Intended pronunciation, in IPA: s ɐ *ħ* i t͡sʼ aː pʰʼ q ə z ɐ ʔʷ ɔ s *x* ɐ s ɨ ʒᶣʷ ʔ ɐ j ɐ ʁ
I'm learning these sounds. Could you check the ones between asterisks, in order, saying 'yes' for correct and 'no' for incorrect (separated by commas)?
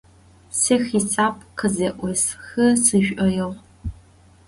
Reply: no, yes